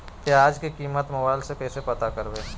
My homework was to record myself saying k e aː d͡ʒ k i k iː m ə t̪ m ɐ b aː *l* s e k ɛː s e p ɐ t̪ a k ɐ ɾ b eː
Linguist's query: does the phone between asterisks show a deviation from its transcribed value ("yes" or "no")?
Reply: no